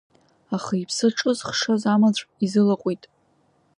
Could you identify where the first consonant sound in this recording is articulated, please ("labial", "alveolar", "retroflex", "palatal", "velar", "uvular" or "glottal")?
uvular